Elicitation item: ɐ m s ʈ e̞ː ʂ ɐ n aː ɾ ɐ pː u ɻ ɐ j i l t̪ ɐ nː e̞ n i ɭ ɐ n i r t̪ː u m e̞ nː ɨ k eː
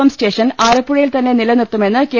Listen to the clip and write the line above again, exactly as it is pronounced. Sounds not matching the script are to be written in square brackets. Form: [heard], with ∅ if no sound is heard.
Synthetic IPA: ɐ m s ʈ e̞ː ʂ ɐ n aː ɾ ɐ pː u ɻ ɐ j i l t̪ ɐ nː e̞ n i [l] ɐ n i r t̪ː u m e̞ nː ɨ k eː